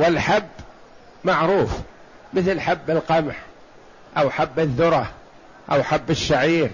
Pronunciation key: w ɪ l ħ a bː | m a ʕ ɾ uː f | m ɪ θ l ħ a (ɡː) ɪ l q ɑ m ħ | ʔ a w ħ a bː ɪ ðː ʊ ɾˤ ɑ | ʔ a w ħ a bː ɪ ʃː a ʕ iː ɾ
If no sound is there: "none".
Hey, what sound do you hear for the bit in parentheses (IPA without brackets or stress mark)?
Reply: bː